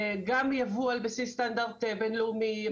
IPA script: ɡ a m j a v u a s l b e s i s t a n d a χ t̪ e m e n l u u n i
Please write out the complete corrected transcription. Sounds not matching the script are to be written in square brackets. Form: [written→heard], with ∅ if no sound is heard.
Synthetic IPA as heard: ɡ a m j a v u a [s→∅] l b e s i s t a n d a [χ→ʁ] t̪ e [m→b] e n l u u [n→m] i